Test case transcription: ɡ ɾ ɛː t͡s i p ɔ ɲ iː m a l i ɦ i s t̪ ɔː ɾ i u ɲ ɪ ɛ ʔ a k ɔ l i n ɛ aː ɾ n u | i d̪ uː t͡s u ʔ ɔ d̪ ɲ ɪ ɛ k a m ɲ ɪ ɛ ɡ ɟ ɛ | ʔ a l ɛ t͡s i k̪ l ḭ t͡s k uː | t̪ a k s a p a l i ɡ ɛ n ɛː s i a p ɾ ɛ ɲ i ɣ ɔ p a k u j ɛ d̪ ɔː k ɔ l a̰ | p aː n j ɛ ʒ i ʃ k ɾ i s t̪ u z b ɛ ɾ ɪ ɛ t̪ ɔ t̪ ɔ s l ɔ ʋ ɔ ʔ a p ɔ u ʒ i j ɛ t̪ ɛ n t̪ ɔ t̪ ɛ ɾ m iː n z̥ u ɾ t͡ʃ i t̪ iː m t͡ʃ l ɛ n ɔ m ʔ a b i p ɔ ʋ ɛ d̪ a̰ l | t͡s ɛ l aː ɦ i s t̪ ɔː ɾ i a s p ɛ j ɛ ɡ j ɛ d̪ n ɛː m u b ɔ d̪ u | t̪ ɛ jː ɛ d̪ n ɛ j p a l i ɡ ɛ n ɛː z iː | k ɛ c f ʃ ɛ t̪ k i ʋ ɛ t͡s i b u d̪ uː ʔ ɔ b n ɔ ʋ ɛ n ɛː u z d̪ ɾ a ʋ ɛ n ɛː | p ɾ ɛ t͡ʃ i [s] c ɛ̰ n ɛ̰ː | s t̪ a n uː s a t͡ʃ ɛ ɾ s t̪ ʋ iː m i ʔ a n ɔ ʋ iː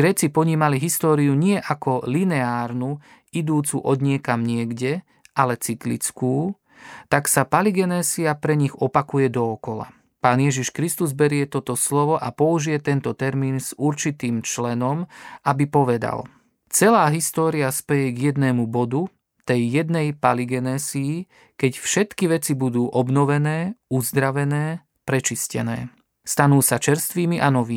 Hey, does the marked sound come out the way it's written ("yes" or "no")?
yes